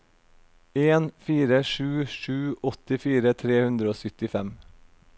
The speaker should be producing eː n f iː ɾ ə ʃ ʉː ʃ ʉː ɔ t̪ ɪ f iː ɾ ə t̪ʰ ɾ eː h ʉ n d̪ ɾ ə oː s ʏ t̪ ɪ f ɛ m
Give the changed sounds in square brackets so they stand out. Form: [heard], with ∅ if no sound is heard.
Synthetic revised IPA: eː n f iː ɾ ə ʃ ʉː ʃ ʉː ɔ t̪ ɪ f iː ɾ ə t̪ʰ ɾ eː h ʉ n d̪ ɾ ə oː s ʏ t̪ ɪ f ɛ m